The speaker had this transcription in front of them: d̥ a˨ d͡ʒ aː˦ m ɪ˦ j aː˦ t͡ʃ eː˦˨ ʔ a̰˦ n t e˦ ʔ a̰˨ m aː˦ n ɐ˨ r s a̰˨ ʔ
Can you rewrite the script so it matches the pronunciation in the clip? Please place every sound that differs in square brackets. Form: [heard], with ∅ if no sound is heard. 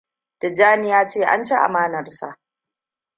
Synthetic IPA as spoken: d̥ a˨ d͡ʒ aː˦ [n] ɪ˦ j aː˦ t͡ʃ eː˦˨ ʔ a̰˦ n [t͡ʃ] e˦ ʔ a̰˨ m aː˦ n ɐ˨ r s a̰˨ ʔ